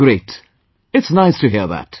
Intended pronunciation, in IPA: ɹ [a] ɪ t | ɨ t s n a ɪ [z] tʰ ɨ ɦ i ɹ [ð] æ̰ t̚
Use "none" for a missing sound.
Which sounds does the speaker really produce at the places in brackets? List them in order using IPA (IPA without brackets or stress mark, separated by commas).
e, s, ð